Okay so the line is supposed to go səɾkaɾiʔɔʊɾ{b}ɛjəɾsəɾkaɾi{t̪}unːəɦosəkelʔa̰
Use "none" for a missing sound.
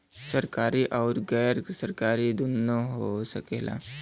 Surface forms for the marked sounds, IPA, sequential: ɡ, d̪

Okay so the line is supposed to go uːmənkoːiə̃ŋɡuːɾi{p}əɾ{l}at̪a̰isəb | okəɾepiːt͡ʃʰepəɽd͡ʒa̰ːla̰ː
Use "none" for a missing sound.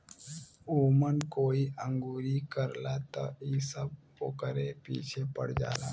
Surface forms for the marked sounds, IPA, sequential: k, l

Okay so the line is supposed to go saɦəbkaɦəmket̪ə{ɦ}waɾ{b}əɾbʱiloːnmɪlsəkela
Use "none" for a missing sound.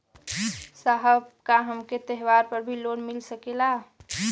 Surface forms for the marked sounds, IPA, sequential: ɦ, p

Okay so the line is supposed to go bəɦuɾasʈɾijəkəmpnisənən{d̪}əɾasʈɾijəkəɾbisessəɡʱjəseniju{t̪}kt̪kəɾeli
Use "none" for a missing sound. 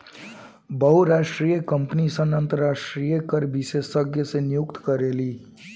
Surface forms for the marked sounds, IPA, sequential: t̪, none

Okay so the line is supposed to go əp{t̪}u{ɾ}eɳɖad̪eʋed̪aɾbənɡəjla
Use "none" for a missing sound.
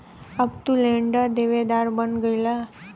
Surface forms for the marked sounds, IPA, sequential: t̪, l

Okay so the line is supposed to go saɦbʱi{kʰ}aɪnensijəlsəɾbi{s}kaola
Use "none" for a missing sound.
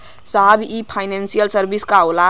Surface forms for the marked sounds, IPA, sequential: pʰ, s

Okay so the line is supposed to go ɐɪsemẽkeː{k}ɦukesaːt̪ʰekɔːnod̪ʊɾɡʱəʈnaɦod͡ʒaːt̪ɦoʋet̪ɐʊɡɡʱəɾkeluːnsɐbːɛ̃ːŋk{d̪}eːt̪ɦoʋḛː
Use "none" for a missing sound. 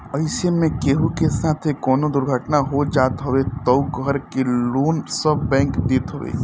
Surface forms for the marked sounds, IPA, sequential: none, d̪

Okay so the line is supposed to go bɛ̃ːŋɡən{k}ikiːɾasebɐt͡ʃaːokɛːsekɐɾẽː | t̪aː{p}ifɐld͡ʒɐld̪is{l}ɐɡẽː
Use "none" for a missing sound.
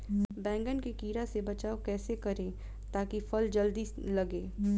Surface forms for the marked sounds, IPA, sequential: k, k, l

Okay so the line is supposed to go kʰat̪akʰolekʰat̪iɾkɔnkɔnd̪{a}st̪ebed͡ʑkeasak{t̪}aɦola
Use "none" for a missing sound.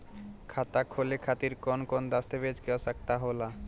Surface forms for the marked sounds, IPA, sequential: a, t̪

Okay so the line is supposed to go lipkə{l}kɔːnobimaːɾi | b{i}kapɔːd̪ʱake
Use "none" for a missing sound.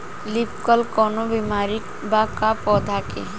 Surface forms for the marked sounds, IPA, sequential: l, a

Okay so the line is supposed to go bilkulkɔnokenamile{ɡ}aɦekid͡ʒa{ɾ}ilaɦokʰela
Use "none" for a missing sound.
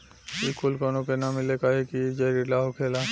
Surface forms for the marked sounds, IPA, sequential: k, ɾ

